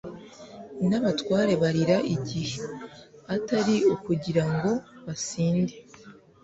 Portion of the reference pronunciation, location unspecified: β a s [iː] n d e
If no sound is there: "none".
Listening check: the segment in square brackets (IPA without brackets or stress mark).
iː